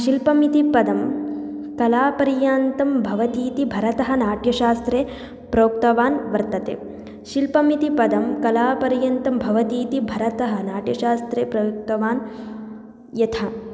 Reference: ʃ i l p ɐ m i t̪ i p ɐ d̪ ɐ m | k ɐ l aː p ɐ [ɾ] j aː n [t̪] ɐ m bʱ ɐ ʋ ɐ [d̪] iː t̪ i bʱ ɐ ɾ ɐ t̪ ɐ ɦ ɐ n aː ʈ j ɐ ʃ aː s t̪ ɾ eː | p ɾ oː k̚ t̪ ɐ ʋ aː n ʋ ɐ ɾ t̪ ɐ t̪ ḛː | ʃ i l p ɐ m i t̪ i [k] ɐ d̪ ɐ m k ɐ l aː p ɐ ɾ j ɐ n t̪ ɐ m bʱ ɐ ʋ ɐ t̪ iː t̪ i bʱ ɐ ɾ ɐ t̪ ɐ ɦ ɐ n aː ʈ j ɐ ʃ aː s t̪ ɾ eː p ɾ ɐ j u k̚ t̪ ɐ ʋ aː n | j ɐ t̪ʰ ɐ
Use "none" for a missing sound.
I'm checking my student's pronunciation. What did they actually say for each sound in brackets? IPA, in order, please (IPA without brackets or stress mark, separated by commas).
ɾ, t̪, t̪, p